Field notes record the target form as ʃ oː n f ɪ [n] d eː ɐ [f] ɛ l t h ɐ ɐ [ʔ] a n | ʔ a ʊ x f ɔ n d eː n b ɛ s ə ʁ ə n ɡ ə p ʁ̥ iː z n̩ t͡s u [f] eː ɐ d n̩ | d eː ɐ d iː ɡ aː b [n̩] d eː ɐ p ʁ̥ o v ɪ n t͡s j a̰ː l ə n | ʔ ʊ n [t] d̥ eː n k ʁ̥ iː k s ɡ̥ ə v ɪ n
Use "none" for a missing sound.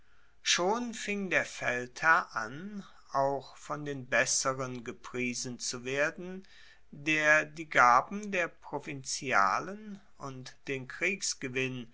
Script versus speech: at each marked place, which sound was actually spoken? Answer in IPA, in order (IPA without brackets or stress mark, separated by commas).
ŋ, f, ʔ, v, m̩, t